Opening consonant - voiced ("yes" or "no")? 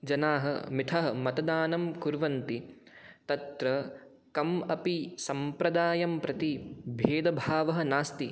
yes